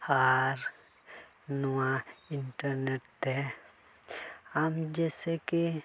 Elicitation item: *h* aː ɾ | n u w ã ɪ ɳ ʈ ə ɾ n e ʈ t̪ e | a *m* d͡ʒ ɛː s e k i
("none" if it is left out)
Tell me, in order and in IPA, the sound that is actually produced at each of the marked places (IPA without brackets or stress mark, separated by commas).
h, m